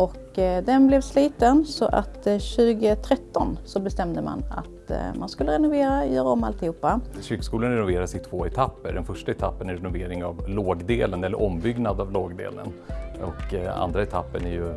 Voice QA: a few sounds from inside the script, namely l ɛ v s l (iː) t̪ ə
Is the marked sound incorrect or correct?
correct